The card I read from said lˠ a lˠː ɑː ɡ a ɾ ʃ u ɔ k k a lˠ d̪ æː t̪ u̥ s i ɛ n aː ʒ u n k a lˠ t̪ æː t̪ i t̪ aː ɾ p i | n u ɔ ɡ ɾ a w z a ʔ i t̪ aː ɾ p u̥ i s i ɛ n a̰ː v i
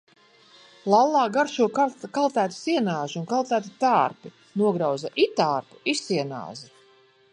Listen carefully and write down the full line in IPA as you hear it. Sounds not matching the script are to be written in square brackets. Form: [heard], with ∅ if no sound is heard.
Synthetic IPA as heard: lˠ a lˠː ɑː ɡ a ɾ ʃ u ɔ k k a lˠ [t̪] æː t̪ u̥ s i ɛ n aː ʒ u n k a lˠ t̪ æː t̪ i t̪ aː ɾ p i | n u ɔ ɡ ɾ a w z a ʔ i t̪ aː ɾ p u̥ i s i ɛ n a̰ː [z] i